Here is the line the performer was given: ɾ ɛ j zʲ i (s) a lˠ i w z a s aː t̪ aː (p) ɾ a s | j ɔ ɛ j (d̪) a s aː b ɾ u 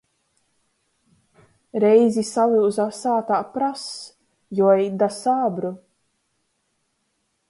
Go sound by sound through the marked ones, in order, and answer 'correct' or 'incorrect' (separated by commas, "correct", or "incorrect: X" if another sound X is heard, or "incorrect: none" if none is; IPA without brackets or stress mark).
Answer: correct, correct, correct